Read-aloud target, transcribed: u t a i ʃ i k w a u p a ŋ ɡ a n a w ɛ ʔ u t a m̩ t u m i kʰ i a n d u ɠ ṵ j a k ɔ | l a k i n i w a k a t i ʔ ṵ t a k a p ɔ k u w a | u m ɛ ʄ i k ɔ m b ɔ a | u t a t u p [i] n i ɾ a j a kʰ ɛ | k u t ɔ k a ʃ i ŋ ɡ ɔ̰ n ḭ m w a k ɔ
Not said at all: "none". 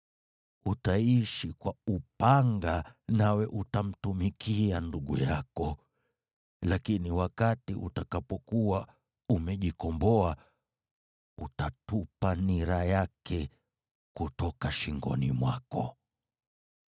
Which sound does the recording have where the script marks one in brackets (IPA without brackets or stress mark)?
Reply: a